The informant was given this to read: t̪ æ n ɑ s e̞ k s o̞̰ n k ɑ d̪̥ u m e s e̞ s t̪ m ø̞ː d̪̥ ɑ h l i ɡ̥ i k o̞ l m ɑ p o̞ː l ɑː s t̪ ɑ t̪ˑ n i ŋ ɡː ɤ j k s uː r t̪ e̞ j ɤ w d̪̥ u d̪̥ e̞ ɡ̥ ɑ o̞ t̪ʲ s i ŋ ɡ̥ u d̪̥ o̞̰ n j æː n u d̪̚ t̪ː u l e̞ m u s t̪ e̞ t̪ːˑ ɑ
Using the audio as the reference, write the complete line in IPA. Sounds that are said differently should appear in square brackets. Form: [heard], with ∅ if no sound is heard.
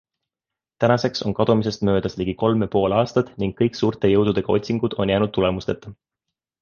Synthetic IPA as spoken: t̪ æ n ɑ s e̞ k s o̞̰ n k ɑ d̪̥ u m [i] s e̞ s t̪ m ø̞ː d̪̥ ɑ [s] l i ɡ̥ i k o̞ l m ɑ p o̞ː l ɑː s t̪ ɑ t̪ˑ n i ŋ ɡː ɤ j k s uː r t̪ e̞ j ɤ w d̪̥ u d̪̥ e̞ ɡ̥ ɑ o̞ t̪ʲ s i ŋ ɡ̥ u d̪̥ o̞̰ n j æː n u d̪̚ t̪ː u l e̞ m u s t̪ e̞ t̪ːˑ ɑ

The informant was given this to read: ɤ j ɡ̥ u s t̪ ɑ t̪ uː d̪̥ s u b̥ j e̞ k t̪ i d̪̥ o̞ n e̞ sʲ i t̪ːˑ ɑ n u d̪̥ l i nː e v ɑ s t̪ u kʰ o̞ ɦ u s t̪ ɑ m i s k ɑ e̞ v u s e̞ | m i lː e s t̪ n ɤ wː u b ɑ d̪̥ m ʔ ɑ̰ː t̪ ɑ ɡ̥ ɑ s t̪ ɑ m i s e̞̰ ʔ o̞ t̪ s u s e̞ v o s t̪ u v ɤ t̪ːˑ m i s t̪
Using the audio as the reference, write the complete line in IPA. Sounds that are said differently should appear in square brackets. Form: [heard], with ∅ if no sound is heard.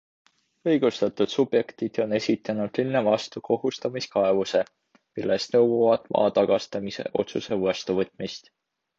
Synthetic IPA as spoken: ɤ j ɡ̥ u s t̪ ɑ t̪ [u] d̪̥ s u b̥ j e̞ k t̪ i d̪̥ o̞ n e̞ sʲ i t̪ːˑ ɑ n u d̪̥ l i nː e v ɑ s t̪ u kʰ o̞ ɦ u s t̪ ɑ m i s k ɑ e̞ v u s e̞ | m i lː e s t̪ n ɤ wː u [v] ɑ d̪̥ m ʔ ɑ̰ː t̪ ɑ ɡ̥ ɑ s t̪ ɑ m i s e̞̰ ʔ o̞ t̪ s u s e̞ v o s t̪ u v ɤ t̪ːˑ m i s t̪

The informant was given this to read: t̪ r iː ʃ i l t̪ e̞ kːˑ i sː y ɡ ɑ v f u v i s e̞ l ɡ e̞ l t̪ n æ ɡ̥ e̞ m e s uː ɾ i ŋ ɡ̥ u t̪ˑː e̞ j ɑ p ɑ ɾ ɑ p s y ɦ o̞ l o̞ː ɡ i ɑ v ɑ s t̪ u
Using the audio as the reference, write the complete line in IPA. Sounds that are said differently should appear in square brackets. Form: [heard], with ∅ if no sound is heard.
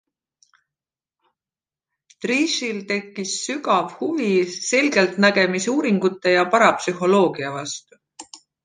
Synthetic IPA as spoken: t̪ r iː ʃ i l t̪ e̞ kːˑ i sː y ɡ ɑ v [h] u v i s e̞ l ɡ e̞ l t̪ n æ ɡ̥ e̞ m [i] s uː ɾ i ŋ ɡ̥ u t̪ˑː e̞ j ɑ p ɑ ɾ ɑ p s y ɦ o̞ l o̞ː ɡ i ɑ v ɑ s t̪ u

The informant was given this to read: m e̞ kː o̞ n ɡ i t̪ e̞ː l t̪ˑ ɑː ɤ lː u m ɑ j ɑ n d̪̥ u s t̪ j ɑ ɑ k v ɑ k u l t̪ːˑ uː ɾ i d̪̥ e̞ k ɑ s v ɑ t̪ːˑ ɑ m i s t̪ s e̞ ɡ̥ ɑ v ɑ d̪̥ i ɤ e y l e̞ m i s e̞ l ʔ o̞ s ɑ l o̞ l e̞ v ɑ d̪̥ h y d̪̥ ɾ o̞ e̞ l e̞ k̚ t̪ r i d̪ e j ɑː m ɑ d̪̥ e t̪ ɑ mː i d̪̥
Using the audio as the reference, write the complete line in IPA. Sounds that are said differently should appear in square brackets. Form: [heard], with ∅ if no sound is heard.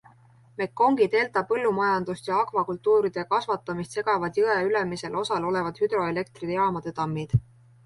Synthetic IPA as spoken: m e̞ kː o̞ [ŋ] ɡ i t̪ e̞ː l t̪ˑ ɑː ɤ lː u m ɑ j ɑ n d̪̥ u s t̪ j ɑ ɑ k v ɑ k u l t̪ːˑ uː ɾ i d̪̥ e̞ k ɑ s v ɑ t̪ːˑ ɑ m i s t̪ s e̞ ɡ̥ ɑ v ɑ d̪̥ [j] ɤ e y l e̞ m i s e̞ l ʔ o̞ s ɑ l o̞ l e̞ v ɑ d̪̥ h y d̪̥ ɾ o̞ e̞ l e̞ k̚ t̪ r i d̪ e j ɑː m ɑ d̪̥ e t̪ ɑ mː i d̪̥

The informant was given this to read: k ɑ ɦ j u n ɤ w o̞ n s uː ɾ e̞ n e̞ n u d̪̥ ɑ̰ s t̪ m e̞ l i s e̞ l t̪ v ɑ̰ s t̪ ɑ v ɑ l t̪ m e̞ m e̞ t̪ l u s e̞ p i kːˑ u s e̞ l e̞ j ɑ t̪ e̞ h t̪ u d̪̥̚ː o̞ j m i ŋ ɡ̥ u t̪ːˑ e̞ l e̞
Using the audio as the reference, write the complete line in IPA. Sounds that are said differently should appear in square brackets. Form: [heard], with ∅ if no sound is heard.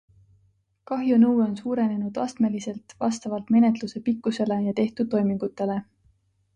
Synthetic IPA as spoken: k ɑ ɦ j u n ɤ w o̞ n s uː ɾ e̞ n e̞ n u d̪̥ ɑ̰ s t̪ m e̞ l i s e̞ l t̪ v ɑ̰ s t̪ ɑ v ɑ l t̪ m e̞ [n] e̞ t̪ l u s e̞ p i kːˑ u s e̞ l e̞ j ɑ t̪ e̞ h t̪ u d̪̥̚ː o̞ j m i ŋ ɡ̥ u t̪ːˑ e̞ l e̞

